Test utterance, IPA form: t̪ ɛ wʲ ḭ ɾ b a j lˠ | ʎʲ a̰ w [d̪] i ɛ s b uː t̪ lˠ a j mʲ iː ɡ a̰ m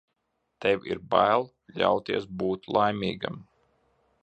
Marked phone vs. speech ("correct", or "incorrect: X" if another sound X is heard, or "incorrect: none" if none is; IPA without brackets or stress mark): incorrect: t̪